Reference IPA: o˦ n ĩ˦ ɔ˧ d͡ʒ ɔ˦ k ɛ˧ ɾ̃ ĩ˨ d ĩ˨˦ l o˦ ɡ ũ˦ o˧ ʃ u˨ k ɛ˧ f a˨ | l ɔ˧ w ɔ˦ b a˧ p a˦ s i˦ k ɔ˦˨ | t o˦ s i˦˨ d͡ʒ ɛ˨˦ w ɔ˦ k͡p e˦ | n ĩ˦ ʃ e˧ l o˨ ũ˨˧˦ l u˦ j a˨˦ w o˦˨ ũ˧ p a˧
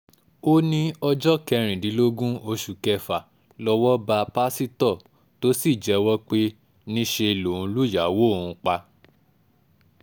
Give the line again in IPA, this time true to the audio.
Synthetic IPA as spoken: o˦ n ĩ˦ ɔ˧ d͡ʒ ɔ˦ k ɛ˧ ɾ̃ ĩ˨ d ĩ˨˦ l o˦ ɡ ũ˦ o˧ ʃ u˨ k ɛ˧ f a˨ | l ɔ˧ w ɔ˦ b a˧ p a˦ s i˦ t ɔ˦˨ | t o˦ s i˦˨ d͡ʒ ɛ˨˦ w ɔ˦ k͡p e˦ | n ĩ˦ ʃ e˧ l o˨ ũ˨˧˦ l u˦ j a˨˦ w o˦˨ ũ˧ k͡p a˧